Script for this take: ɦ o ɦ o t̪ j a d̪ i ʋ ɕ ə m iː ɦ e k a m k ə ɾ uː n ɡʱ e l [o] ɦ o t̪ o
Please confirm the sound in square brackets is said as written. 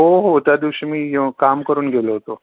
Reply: yes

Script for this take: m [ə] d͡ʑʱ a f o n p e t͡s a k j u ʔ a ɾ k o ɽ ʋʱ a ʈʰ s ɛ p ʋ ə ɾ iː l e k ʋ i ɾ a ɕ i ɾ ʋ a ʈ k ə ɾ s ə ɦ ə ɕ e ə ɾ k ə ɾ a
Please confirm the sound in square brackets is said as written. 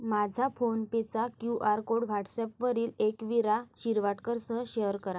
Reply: no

